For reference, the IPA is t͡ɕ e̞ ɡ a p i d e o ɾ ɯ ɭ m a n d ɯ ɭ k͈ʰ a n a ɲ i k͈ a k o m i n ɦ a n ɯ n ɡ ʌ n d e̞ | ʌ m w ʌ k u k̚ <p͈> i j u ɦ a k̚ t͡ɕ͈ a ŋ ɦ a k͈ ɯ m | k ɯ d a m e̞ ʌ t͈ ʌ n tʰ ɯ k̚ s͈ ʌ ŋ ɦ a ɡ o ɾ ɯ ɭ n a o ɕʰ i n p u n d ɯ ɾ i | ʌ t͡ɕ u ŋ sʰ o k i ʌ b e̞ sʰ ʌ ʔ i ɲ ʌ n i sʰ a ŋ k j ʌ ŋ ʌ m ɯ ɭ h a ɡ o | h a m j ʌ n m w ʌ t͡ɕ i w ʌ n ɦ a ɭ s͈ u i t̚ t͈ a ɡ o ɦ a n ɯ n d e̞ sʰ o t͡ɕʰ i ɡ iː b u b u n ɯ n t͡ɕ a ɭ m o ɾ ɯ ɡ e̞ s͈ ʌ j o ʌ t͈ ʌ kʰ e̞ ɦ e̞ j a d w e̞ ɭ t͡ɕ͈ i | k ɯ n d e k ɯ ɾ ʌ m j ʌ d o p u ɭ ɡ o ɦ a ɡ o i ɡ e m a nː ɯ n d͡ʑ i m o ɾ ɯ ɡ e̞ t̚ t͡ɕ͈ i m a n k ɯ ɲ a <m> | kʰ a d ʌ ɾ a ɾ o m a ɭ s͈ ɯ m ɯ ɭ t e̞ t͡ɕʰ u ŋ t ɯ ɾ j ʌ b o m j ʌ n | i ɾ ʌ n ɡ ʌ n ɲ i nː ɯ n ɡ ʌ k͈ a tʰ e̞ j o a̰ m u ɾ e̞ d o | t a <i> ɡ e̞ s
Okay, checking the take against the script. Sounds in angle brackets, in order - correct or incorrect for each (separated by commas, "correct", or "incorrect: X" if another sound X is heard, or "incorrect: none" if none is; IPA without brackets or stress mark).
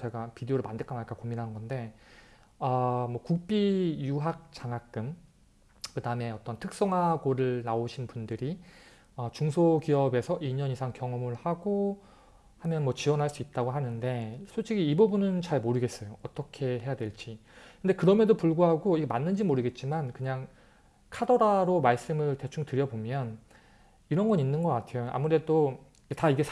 correct, incorrect: ŋ, correct